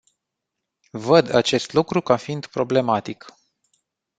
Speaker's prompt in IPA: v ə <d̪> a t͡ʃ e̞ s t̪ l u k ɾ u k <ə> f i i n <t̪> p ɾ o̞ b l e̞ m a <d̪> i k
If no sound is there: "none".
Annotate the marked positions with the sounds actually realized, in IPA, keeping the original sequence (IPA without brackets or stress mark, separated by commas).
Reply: d̪, a, d̪, t̪